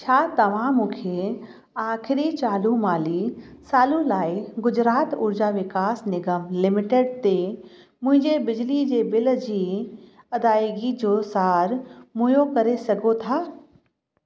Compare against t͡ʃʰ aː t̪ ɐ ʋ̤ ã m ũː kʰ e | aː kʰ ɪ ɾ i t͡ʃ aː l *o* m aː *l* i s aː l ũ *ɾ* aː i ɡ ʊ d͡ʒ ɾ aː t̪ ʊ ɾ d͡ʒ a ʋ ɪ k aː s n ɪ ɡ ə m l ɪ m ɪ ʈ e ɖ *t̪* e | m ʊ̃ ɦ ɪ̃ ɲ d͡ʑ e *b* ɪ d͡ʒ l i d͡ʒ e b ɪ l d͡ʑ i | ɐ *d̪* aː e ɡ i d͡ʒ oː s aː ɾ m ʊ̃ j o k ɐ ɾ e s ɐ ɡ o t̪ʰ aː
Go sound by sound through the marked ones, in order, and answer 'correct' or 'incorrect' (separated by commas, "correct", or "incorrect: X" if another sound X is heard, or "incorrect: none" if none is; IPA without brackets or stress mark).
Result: incorrect: u, correct, incorrect: l, correct, correct, correct